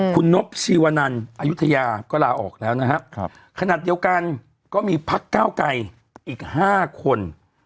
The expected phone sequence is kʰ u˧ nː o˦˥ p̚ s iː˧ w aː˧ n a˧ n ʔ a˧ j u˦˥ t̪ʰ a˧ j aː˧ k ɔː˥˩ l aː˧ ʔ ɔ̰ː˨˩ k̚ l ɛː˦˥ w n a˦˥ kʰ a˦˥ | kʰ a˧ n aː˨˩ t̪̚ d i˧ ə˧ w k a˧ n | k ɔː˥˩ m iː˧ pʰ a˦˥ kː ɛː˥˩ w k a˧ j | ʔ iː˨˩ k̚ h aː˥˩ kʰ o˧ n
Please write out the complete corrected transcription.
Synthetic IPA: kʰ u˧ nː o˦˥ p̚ s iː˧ w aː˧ n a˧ n ʔ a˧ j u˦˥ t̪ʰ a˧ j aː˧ k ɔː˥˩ l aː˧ ʔ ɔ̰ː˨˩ k̚ l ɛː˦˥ w n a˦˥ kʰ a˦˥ | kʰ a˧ n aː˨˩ t̪̚ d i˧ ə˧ w k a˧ n | k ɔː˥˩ m iː˧ pʰ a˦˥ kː aː˥˩ w k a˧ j | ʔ iː˨˩ k̚ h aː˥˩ kʰ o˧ n